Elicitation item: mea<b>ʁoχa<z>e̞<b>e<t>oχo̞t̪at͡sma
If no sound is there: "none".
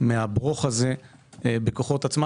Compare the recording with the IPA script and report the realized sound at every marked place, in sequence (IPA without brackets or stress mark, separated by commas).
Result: b, z, b, k